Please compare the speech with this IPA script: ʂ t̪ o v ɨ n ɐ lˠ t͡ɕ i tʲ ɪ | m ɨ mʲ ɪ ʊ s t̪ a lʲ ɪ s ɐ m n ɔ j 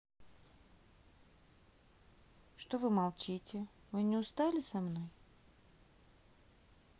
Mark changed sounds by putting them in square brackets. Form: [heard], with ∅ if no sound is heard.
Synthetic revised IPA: ʂ t̪ o v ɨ [m] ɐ lˠ t͡ɕ i tʲ ɪ | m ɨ [nʲ] ɪ ʊ s t̪ a lʲ ɪ s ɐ m n [o] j